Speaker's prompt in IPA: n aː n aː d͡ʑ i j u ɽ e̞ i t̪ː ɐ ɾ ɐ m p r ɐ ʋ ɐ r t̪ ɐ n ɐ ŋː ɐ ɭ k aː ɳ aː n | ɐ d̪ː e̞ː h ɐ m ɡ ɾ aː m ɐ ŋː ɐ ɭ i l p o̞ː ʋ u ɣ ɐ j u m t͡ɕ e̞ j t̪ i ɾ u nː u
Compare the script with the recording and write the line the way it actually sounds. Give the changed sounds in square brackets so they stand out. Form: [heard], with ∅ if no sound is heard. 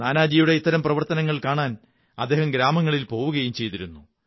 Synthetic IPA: n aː n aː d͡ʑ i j u ɽ e̞ i t̪ː ɐ ɾ ɐ m p r ɐ ʋ ɐ r t̪ ɐ n ɐ ŋː ɐ ɭ k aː ɳ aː n | ɐ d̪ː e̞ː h ɐ m ɡ ɾ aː m ɐ ŋː ɐ ɭ i l p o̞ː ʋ u ɣ ɐ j u m t͡ɕ e̞ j t̪ i ɾ u nː u